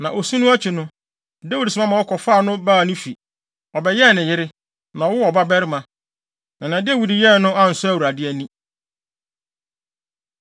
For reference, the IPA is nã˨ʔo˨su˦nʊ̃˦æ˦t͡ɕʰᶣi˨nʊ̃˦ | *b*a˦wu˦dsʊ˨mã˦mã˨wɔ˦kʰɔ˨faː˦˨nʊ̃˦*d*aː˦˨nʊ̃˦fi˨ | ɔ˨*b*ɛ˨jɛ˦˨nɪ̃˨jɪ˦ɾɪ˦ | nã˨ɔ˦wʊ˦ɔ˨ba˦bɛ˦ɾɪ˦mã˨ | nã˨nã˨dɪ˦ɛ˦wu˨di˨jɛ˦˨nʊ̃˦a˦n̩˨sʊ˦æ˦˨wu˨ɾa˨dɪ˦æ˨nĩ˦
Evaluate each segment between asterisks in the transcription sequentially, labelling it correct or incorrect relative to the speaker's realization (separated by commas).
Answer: incorrect, incorrect, correct